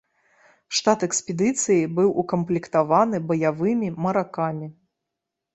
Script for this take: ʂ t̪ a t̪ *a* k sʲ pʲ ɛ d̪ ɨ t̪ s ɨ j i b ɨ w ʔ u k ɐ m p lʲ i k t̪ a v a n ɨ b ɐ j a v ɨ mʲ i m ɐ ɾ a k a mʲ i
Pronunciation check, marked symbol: incorrect: ɛ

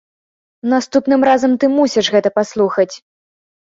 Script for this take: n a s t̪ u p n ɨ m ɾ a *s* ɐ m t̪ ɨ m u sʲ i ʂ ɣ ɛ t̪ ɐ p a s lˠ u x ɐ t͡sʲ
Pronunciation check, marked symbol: incorrect: z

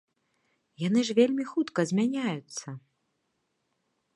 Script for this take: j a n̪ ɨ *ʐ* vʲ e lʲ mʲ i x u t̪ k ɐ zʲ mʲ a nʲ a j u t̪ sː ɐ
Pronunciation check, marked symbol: correct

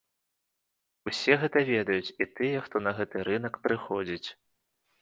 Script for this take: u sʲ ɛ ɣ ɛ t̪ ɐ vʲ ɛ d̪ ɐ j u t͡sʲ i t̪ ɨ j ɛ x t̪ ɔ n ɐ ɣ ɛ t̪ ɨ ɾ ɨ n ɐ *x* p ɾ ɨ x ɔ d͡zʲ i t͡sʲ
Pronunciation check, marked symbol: incorrect: k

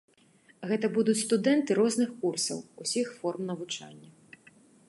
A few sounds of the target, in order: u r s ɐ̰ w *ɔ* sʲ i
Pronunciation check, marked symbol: incorrect: u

